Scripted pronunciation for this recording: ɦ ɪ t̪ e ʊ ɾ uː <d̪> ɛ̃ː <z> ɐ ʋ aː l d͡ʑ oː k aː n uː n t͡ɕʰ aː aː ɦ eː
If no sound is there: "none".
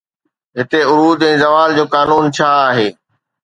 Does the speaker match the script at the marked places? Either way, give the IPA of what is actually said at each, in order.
d̪, z

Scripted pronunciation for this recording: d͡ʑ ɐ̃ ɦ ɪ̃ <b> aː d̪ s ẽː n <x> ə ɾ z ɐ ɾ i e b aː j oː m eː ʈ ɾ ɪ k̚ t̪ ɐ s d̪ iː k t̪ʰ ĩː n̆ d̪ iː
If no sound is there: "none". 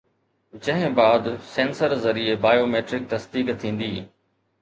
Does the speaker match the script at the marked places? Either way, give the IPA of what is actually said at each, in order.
b, s

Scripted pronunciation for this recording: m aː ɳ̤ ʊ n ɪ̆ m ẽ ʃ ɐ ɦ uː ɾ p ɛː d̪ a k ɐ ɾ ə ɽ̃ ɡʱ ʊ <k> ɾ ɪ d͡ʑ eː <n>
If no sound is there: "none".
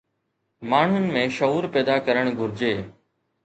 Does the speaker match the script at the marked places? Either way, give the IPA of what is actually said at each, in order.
none, none

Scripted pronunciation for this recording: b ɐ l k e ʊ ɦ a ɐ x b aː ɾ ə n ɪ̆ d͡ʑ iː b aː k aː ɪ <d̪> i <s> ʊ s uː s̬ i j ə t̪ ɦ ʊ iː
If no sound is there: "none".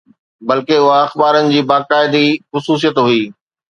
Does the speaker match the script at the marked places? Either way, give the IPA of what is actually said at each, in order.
d̪, x

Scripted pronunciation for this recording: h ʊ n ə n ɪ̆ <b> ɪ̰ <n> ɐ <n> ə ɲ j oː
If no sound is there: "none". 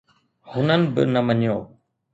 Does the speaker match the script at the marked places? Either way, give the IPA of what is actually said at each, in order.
b, n, m

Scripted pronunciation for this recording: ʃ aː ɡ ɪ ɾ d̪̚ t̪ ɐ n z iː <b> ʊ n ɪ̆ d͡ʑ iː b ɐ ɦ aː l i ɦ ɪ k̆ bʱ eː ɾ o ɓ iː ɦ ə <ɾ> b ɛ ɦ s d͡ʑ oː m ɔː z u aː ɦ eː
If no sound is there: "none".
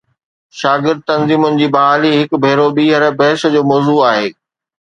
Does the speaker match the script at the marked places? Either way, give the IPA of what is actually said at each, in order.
m, ɾ

